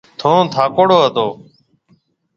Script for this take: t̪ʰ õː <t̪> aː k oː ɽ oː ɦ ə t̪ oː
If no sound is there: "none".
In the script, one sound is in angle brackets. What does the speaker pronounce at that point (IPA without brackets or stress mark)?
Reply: t̪ʰ